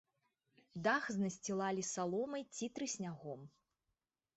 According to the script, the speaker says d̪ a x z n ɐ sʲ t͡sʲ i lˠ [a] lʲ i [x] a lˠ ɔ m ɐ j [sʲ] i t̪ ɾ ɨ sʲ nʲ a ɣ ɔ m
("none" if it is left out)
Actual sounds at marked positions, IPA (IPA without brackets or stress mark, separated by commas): a, s, t͡sʲ